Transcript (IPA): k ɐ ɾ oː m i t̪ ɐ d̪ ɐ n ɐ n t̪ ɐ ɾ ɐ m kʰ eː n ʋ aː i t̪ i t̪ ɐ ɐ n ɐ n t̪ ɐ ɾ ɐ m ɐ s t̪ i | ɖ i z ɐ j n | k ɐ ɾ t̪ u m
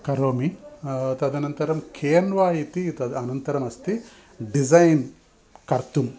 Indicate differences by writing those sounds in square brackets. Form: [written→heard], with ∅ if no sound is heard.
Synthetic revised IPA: k ɐ ɾ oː m i t̪ ɐ d̪ ɐ n ɐ n t̪ ɐ ɾ ɐ m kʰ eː n ʋ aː i t̪ i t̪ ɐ ɐ n ɐ n t̪ ɐ ɾ ɐ m ɐ s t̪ i | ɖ i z ɐ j n | k ɐ ɾ t̪ u m

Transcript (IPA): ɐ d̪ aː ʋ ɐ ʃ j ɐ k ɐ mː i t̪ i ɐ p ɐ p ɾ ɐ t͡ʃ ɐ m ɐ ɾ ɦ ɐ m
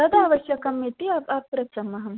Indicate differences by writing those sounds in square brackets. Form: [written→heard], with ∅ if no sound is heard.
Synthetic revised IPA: ɐ d̪ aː ʋ ɐ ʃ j ɐ k ɐ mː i t̪ i ɐ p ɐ p ɾ ɐ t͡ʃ ɐ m ɐ [ɾ→∅] ɦ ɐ m

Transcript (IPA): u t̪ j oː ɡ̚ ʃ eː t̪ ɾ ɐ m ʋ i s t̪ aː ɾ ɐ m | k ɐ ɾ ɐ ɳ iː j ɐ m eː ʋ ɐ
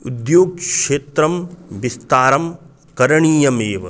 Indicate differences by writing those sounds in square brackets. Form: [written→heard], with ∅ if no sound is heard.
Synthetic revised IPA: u [t̪→d̪] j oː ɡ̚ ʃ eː t̪ ɾ ɐ m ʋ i s t̪ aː ɾ ɐ m | k ɐ ɾ ɐ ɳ iː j ɐ m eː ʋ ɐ

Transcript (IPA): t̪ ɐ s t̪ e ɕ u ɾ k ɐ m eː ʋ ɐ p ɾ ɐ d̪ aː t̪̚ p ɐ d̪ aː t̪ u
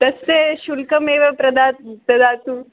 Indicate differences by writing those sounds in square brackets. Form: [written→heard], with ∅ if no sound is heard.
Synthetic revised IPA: t̪ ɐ s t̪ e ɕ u [ɾ→l] k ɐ m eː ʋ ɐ p ɾ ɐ d̪ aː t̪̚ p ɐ d̪ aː t̪ u

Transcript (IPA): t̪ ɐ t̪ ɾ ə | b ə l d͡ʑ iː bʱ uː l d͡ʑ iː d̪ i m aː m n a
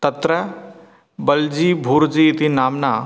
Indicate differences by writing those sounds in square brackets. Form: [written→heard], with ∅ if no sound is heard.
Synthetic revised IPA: t̪ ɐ t̪ ɾ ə | b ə l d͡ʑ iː bʱ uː [l→ɾ] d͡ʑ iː [d̪→t̪] i [m→n] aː m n a

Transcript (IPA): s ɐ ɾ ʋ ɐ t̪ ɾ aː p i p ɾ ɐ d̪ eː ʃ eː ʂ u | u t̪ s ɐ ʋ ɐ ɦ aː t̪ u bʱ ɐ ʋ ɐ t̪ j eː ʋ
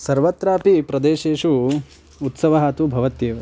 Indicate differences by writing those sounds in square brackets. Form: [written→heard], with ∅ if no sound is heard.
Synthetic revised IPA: s ɐ ɾ ʋ ɐ t̪ ɾ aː p i p ɾ ɐ d̪ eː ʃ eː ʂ u | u t̪ s ɐ ʋ ɐ ɦ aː t̪ u bʱ ɐ ʋ ɐ t̪ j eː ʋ

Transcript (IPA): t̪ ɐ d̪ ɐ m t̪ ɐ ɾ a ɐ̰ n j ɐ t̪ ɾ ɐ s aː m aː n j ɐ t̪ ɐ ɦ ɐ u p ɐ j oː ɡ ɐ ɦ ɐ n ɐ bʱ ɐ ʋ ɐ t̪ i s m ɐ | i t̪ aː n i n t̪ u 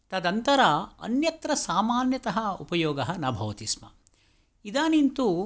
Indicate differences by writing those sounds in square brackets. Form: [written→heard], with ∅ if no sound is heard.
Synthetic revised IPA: t̪ ɐ d̪ ɐ [m→n] t̪ ɐ ɾ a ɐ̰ n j ɐ t̪ ɾ ɐ s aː m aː n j ɐ t̪ ɐ ɦ ɐ u p ɐ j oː ɡ ɐ ɦ ɐ n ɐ bʱ ɐ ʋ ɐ t̪ i s m ɐ | i [t̪→d̪] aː n i n t̪ u

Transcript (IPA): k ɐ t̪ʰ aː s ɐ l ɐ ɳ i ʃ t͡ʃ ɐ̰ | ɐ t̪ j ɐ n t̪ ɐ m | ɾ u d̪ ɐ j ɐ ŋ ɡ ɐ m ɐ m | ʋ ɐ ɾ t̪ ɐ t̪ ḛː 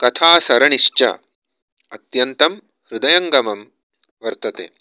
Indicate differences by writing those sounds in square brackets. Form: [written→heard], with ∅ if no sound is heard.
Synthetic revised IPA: k ɐ t̪ʰ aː s ɐ [l→ɾ] ɐ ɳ i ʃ t͡ʃ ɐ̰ | ɐ t̪ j ɐ n t̪ ɐ m | ɾ u d̪ ɐ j ɐ ŋ ɡ ɐ m ɐ m | ʋ ɐ ɾ t̪ ɐ t̪ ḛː

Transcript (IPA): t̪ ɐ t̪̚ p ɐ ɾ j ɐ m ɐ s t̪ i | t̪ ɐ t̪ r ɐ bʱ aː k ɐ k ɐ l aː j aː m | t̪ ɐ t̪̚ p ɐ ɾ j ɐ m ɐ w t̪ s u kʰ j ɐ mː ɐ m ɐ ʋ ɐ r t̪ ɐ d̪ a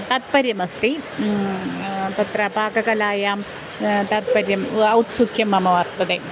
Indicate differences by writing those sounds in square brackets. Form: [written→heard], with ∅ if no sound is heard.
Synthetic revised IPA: t̪ ɐ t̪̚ p ɐ ɾ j ɐ m ɐ s t̪ i | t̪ ɐ t̪ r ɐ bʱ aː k ɐ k ɐ l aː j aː m | t̪ ɐ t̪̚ p ɐ ɾ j ɐ m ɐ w t̪ s u kʰ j ɐ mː ɐ m ɐ ʋ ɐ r t̪ ɐ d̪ [a→e]

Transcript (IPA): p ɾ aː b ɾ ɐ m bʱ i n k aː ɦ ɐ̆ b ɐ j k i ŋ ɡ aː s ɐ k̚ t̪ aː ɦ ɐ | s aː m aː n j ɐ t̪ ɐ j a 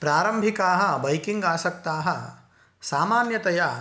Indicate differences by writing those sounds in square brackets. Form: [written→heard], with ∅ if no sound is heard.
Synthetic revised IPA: p ɾ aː [b→∅] ɾ ɐ m bʱ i [n→∅] k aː ɦ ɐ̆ b ɐ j k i ŋ ɡ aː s ɐ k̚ t̪ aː ɦ ɐ | s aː m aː n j ɐ t̪ ɐ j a

